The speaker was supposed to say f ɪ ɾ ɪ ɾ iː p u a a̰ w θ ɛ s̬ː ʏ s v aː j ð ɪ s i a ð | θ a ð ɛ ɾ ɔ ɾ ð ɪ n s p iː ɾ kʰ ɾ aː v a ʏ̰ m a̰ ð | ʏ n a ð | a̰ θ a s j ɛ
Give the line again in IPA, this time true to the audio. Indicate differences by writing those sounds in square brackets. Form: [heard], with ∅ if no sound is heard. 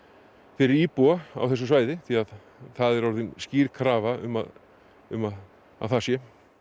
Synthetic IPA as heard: f ɪ ɾ ɪ ɾ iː p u a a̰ w θ ɛ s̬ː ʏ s v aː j ð ɪ [θ] i a ð | θ a ð ɛ ɾ ɔ ɾ ð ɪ n s [c] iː ɾ kʰ ɾ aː v a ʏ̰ m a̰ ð | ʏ [m] a ð | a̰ θ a s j ɛ